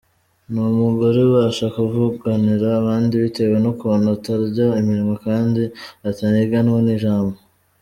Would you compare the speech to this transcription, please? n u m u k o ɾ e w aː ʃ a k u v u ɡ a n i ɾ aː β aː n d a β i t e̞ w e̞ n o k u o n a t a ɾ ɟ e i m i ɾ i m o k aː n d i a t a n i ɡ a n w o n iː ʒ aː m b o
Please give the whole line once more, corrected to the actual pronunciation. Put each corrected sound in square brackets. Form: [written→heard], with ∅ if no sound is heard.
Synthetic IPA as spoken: n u m u [k→ɡ] o ɾ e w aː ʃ a k u v u ɡ a n i ɾ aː β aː n d [a→i] β i t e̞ w e̞ n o k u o n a t a ɾ ɟ [e→a] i m i ɾ i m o k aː n d i a t a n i ɡ a n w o n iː ʒ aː m b o